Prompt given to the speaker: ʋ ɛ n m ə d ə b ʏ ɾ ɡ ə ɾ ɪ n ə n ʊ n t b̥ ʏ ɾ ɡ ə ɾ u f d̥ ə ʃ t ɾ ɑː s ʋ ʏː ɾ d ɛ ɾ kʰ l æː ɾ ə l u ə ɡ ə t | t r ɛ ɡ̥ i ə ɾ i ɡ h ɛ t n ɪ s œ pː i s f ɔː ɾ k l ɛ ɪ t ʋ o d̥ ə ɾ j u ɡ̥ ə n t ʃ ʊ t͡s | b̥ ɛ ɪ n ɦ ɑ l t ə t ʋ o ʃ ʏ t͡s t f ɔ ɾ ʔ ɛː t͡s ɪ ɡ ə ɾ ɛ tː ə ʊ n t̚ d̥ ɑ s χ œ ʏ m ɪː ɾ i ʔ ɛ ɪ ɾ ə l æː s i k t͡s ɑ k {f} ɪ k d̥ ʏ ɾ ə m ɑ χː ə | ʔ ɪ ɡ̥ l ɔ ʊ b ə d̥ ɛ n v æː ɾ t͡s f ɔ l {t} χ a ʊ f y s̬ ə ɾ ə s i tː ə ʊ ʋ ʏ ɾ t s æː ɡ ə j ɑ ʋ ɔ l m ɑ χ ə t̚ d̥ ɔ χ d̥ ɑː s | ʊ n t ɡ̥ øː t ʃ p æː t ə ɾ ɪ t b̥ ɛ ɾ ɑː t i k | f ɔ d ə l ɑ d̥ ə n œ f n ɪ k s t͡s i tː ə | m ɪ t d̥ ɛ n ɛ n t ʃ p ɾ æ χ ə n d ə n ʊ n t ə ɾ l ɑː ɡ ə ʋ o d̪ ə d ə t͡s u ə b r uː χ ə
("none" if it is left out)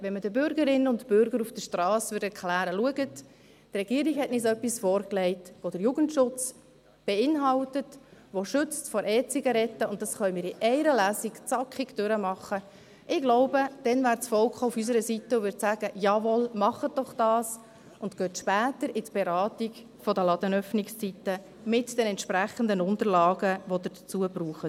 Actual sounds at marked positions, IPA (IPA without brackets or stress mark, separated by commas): χ, k